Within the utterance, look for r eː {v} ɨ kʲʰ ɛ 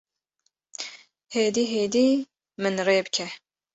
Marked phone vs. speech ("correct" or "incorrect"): incorrect